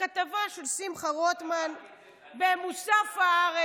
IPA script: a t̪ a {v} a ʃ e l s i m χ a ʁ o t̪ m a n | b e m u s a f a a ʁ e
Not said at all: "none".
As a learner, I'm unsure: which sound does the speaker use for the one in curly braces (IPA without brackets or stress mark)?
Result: v